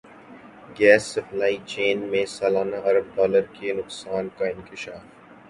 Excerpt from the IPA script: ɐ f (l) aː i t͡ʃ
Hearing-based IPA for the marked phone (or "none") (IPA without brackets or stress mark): l